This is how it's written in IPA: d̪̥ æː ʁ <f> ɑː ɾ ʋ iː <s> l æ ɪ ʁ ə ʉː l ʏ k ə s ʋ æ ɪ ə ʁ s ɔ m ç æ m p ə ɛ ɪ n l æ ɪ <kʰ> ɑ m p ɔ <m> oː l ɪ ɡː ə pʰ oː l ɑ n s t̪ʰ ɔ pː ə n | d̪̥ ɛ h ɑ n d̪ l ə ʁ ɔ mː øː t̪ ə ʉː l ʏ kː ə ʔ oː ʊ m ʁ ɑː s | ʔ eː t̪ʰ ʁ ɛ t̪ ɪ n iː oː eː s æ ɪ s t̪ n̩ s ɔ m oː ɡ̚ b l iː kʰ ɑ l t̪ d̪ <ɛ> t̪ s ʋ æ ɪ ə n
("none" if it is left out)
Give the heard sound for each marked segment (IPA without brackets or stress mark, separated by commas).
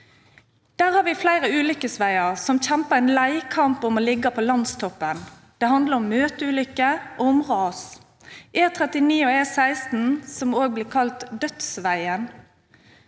h, f, kʰ, m, œ